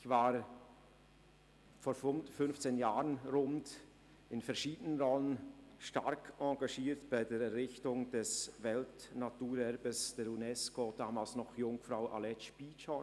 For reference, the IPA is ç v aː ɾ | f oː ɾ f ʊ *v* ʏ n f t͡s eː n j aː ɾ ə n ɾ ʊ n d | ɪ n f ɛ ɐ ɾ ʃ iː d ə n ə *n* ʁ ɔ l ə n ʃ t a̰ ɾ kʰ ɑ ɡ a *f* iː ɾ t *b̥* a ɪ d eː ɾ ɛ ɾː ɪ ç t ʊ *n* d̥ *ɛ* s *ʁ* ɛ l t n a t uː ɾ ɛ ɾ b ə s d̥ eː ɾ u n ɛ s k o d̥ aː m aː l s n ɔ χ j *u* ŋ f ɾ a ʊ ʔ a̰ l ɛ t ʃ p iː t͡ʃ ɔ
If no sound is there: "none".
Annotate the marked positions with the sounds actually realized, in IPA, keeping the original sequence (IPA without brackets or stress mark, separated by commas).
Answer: f, n, ʃ, b̥, ŋ, ɛ, v, ʊ